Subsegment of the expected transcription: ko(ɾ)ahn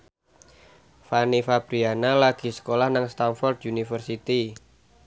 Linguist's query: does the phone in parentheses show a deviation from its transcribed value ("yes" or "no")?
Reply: yes